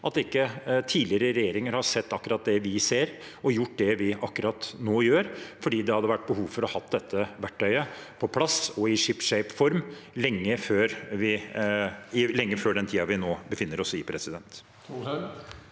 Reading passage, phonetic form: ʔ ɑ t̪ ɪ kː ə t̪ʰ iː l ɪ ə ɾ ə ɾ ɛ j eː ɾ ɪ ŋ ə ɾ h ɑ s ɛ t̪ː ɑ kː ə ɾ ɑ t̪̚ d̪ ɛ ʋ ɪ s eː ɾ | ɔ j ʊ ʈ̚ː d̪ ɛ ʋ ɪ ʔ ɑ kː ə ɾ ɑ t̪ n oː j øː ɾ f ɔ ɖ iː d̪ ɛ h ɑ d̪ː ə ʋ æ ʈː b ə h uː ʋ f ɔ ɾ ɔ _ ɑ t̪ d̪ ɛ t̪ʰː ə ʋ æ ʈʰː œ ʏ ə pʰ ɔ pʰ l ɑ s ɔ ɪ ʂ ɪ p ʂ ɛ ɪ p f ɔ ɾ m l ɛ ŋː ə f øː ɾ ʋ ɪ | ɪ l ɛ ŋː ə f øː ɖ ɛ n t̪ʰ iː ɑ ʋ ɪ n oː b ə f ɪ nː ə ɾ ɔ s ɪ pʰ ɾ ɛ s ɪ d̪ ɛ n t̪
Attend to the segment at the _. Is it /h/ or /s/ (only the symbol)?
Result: h